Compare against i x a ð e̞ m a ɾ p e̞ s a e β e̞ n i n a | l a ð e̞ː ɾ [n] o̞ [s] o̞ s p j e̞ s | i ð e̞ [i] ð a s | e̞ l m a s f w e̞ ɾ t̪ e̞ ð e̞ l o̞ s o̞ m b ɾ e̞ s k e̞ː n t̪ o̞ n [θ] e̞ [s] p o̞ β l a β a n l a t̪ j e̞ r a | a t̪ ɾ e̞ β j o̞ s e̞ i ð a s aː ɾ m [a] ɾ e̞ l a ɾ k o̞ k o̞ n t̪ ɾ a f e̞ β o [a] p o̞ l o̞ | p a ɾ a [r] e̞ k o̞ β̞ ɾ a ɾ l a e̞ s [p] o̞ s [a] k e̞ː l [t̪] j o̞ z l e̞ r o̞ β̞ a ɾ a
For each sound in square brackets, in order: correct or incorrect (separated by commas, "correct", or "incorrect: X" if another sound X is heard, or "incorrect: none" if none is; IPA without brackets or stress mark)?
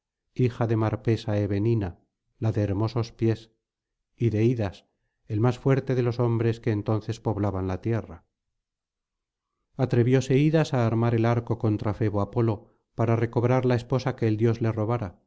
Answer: incorrect: m, correct, correct, correct, correct, correct, correct, correct, correct, correct, incorrect: d̪